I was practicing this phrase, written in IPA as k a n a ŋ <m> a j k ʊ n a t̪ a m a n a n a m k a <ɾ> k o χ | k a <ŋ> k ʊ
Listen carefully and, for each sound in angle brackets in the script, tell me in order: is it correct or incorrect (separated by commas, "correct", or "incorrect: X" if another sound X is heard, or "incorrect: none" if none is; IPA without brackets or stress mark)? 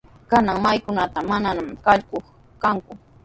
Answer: correct, incorrect: ʎ, correct